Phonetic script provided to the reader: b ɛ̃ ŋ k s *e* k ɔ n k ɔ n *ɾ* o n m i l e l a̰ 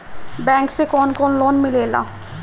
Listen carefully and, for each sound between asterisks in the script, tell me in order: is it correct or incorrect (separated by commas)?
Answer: correct, incorrect